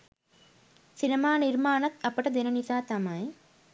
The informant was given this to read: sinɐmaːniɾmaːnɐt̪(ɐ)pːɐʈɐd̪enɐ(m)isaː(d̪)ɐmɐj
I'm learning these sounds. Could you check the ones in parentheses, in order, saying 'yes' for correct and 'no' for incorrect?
yes, no, no

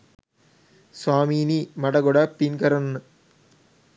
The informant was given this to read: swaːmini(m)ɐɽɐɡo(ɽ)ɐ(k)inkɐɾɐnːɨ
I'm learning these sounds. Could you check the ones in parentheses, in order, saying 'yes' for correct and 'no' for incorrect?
yes, yes, no

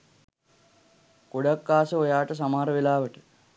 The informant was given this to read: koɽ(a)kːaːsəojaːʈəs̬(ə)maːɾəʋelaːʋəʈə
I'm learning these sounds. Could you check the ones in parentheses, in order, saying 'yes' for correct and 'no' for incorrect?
yes, no

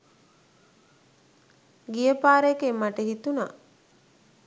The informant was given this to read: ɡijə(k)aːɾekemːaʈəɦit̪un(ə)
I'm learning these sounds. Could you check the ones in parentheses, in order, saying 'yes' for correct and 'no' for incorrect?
no, no

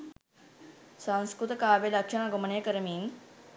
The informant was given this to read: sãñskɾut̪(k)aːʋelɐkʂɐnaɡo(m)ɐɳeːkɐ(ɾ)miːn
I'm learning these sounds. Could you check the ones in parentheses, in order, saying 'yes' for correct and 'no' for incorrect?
yes, yes, yes

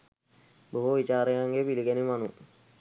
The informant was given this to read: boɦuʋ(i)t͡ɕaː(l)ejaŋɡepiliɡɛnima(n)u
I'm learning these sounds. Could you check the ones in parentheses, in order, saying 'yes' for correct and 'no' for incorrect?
yes, no, yes

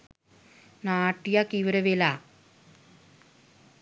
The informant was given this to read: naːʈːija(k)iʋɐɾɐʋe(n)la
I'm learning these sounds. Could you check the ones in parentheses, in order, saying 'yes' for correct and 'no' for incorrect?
yes, no

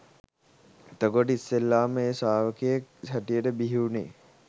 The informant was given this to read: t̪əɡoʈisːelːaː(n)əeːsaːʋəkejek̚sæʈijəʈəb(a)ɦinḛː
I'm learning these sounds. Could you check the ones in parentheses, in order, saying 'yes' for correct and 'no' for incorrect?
no, no

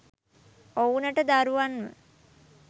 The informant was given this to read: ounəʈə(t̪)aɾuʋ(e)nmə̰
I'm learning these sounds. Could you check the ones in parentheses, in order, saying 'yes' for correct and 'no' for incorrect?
no, no

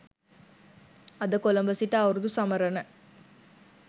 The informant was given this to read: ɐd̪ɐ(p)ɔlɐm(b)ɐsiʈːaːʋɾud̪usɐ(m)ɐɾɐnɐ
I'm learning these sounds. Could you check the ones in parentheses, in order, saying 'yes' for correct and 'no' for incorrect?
no, yes, yes

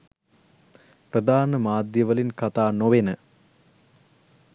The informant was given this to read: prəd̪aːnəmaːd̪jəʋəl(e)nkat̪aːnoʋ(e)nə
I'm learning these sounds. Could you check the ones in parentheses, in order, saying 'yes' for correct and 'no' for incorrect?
no, yes

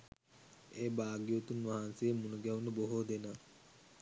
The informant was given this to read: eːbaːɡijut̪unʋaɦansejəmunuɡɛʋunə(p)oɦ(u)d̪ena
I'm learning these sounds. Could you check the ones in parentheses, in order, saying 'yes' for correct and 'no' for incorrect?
no, no

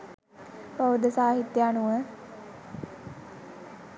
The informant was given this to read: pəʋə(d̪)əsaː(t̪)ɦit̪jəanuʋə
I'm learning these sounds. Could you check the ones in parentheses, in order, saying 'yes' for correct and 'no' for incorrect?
yes, no

